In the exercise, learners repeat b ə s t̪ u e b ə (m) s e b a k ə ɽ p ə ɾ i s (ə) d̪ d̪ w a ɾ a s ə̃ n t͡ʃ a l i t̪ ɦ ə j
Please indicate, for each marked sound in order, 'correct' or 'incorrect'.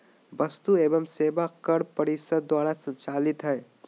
correct, correct

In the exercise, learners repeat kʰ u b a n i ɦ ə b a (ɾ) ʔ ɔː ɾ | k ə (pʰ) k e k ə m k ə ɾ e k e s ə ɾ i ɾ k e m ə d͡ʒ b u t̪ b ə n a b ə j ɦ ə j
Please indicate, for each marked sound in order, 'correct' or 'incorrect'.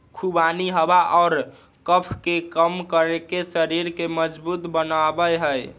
incorrect: none, correct

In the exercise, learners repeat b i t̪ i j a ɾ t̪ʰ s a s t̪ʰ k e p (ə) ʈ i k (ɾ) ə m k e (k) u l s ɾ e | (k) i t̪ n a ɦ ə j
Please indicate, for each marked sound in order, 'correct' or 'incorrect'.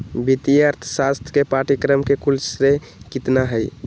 incorrect: a, correct, correct, correct

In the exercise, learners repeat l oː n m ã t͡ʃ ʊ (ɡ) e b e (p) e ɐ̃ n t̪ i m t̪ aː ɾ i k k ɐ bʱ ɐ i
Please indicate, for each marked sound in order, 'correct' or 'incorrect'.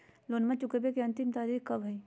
incorrect: k, incorrect: k

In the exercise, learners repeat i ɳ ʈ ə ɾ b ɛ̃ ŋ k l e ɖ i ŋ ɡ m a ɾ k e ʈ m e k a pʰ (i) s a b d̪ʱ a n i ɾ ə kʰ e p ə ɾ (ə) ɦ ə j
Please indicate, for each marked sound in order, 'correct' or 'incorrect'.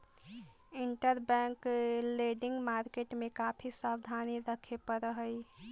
correct, correct

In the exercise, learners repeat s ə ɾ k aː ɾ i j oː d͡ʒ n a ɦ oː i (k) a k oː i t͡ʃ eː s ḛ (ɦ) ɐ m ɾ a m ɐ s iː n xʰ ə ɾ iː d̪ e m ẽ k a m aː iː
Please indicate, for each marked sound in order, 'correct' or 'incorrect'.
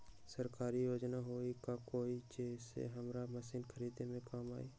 correct, correct

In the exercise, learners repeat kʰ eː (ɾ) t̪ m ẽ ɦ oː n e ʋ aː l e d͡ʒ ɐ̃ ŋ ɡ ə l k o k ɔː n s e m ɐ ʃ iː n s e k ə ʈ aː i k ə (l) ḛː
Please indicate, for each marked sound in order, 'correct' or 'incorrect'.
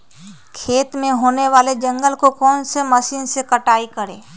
incorrect: none, incorrect: ɾ

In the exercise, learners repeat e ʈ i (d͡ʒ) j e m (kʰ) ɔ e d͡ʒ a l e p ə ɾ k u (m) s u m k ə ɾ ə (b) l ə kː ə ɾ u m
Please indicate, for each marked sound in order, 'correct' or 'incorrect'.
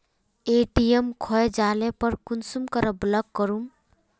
incorrect: none, correct, incorrect: n, correct

